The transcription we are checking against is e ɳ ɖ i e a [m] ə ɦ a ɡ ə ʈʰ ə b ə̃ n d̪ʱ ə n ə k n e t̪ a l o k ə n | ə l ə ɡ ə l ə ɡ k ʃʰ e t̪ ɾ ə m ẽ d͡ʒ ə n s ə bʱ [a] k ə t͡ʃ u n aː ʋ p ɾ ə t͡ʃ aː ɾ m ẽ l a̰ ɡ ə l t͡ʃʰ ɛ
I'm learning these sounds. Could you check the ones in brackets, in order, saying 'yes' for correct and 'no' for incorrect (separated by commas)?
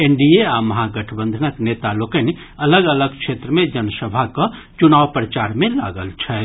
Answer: yes, yes